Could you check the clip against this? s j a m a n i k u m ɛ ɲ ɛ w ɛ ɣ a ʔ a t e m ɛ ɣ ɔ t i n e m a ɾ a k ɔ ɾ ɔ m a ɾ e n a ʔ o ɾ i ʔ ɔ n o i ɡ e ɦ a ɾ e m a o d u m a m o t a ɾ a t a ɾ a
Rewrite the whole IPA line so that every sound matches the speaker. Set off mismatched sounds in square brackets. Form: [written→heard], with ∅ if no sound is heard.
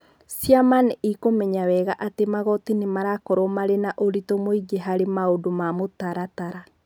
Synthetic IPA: s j a m a n i k [u→o] m ɛ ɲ [ɛ→a] w ɛ ɣ a ʔ a t e m [ɛ→a] ɣ ɔ t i n e m a ɾ a k ɔ ɾ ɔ m a ɾ e n a ʔ o ɾ i [ʔ→t] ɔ [n→m] o i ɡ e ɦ a ɾ e m a o d [u→o] m a m o t a ɾ a t a ɾ a